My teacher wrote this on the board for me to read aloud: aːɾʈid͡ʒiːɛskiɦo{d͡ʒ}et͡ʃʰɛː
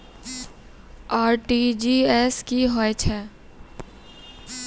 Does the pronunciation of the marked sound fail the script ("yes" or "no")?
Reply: yes